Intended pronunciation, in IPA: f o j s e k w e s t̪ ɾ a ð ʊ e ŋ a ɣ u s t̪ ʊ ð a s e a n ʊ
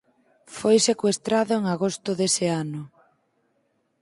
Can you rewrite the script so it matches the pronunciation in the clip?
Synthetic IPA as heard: f o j s e k w e s t̪ ɾ a ð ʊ e ŋ a ɣ o s t̪ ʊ ð e s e a n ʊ